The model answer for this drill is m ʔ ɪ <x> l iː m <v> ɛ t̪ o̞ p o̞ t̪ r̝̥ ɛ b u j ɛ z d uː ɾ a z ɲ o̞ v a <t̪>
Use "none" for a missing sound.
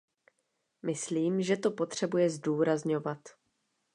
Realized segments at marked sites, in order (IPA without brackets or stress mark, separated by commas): s, ʒ, t̪